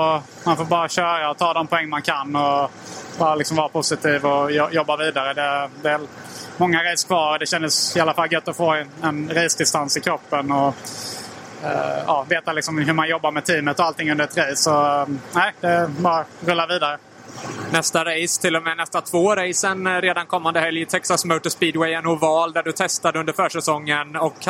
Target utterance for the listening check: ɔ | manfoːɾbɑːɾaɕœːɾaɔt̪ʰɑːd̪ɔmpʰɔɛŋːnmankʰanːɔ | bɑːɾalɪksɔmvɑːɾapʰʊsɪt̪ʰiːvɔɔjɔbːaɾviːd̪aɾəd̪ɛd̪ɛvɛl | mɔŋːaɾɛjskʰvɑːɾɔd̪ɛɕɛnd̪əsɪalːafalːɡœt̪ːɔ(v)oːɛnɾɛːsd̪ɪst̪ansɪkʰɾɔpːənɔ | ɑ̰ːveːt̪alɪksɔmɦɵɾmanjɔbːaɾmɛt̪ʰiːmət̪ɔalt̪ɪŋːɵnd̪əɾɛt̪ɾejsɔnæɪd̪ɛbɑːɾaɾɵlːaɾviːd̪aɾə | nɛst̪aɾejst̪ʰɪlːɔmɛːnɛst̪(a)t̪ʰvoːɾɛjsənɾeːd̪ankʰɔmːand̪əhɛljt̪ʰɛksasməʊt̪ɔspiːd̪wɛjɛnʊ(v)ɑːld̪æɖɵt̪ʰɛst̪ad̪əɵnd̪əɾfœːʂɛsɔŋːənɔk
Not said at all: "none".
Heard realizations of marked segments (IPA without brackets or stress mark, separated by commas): f, a, v